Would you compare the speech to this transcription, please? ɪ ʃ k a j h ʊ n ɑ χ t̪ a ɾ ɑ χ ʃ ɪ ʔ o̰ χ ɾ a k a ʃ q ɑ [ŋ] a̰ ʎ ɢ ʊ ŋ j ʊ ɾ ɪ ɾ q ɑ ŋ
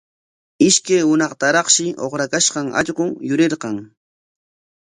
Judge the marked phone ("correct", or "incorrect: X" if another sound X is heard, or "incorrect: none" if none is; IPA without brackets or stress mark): correct